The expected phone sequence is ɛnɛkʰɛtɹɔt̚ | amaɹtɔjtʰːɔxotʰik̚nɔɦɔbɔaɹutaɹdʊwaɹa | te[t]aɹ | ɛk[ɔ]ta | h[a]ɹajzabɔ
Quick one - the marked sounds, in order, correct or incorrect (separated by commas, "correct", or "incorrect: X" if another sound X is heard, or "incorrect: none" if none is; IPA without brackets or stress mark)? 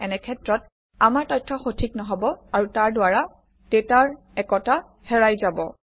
correct, correct, incorrect: ɛ